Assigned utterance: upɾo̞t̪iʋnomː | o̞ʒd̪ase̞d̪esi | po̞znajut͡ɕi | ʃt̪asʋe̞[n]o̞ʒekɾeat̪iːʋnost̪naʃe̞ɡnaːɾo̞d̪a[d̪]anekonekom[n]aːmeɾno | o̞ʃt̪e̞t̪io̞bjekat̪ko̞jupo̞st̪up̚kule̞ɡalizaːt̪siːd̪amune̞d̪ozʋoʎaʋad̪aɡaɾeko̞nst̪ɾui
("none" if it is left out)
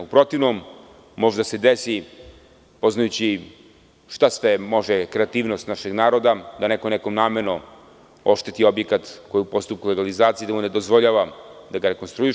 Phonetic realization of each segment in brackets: m, d̪, n

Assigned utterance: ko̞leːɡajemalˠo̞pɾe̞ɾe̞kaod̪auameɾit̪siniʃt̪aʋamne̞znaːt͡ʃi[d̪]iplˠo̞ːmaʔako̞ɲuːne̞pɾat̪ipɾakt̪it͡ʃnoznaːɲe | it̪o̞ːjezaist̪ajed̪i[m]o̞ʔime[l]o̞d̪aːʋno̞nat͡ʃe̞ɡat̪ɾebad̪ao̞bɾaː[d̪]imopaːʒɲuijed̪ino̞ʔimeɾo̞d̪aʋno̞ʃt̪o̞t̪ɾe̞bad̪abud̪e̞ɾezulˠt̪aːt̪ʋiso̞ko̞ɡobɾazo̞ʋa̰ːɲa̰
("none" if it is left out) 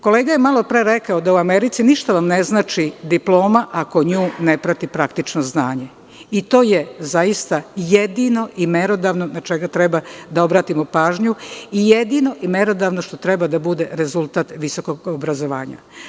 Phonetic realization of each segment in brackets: d̪, n, ɾ, t̪

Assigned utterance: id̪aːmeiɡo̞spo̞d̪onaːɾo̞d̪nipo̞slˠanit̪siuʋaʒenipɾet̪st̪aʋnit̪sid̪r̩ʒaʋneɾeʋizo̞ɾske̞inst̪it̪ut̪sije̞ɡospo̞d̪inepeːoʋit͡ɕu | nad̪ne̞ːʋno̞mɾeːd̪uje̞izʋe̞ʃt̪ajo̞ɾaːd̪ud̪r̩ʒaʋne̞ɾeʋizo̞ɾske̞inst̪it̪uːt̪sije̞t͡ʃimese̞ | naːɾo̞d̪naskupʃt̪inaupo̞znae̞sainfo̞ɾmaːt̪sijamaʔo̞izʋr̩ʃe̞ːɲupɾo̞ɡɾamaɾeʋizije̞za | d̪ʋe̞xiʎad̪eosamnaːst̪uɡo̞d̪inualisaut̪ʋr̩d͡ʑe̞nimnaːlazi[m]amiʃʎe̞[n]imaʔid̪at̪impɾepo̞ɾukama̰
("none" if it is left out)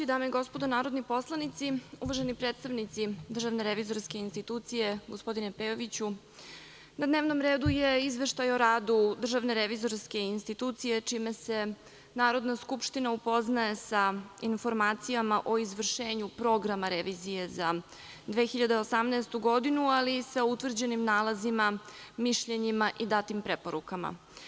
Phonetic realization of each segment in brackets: m, ɲ

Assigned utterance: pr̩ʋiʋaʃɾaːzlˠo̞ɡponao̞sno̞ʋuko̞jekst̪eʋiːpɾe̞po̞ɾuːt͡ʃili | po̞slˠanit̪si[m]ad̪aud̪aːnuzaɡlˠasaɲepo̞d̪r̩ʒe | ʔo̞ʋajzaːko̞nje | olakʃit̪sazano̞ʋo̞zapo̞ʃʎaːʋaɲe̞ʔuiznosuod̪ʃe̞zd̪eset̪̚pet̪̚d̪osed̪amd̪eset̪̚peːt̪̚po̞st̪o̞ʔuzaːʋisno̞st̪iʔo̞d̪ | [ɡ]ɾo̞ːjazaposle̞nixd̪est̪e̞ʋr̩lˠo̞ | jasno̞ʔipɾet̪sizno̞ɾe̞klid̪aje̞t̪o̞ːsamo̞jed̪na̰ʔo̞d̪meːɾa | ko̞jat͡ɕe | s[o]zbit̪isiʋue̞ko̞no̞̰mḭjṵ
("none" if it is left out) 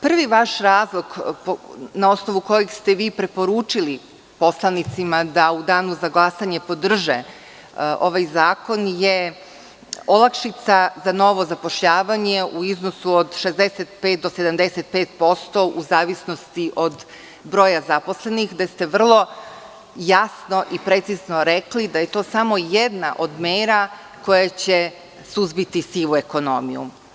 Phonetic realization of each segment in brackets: m, b, u

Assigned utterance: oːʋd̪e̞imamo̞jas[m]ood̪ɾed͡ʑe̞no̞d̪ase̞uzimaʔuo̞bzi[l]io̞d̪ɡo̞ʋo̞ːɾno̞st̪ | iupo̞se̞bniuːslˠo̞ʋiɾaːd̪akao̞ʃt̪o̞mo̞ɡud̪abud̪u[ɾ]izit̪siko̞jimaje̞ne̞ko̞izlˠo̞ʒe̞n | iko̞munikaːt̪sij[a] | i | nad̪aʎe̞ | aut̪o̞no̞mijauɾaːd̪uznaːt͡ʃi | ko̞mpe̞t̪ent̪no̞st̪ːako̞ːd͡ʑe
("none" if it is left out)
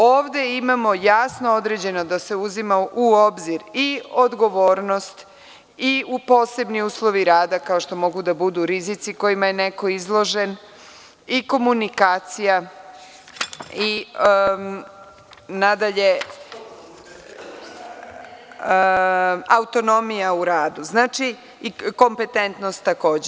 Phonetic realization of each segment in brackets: n, ɾ, ɾ, a

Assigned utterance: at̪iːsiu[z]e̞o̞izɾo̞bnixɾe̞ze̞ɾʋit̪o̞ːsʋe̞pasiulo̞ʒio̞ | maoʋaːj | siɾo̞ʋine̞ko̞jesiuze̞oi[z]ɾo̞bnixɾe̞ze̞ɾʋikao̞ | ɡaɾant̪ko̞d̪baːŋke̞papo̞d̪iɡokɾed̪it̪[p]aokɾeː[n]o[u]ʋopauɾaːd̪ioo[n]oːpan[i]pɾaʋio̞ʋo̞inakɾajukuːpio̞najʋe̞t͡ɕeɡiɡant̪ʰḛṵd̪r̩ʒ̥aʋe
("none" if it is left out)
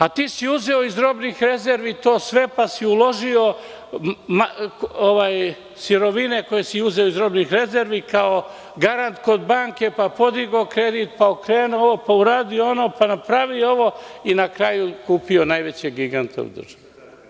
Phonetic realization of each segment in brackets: z, z, p, n, o, n, a

